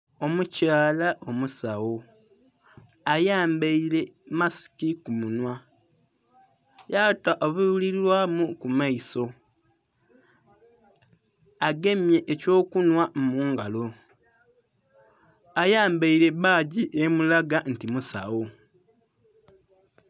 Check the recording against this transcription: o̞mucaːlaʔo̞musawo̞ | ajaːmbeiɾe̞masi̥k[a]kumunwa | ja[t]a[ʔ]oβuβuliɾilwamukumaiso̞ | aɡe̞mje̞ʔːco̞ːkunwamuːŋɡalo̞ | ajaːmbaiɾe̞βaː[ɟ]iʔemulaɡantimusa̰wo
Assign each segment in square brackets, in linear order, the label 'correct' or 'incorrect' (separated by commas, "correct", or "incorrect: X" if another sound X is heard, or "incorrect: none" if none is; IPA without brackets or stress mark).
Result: incorrect: i, correct, correct, correct